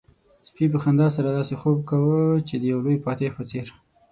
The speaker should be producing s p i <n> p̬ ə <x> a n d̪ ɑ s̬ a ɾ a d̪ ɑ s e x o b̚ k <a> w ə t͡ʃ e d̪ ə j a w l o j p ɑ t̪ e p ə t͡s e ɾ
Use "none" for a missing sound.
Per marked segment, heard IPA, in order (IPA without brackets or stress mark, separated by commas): none, x, a